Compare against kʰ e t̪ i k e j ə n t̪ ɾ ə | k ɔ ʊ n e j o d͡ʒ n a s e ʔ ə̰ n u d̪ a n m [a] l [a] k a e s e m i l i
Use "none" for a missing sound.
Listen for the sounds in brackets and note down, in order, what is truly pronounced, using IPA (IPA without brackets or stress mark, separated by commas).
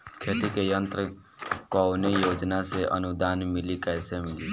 i, i